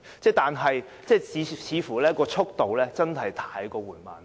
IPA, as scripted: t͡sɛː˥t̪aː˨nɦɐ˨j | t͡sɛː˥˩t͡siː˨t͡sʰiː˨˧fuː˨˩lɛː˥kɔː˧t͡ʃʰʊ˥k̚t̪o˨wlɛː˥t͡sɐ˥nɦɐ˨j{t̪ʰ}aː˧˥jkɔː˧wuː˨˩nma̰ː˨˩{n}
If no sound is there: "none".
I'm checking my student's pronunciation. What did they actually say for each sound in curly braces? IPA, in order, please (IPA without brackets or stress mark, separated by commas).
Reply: t̪ʰ, n